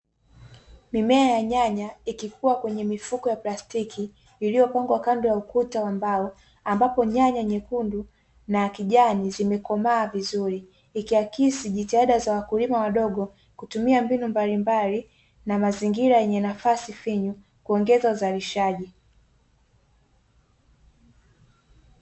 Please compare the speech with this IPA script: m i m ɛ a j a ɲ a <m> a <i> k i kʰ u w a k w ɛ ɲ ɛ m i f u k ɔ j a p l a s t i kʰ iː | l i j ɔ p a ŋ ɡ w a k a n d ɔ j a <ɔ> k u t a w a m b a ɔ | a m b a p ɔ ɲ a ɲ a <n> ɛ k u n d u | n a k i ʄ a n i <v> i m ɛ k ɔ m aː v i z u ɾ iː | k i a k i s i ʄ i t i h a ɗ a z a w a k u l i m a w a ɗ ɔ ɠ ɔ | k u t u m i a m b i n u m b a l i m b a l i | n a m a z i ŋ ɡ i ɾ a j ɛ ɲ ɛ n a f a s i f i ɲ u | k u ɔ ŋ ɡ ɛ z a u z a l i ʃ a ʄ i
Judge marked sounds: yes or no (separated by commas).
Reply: no, yes, no, no, no